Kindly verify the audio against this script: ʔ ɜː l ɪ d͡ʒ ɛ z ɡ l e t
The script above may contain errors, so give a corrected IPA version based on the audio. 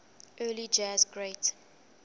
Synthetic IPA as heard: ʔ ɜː l i d͡ʒ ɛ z ɡ ɹ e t